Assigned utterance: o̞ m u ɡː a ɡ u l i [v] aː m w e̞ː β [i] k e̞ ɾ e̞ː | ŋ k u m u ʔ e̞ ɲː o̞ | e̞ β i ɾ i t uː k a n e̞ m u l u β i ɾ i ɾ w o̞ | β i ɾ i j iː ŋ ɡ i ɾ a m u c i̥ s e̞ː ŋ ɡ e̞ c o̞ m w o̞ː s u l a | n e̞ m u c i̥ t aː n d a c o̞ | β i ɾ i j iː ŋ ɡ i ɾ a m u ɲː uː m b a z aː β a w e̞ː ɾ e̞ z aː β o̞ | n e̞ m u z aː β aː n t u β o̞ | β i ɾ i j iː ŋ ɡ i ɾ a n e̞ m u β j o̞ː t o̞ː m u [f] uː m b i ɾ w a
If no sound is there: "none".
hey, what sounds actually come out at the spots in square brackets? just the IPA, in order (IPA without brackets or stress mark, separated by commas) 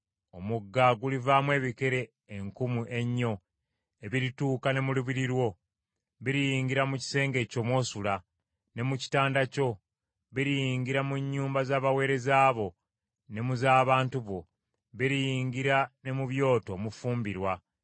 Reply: v, i, f